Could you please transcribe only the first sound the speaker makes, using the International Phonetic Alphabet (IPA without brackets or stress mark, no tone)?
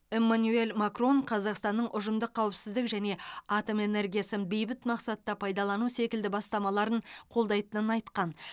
e̞